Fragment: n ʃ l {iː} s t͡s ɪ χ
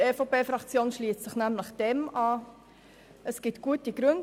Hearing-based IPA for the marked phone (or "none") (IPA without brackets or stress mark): iː